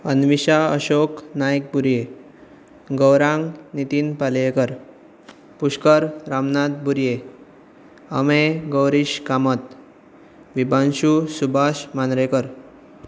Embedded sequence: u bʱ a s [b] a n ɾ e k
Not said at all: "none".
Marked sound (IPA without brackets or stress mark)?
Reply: m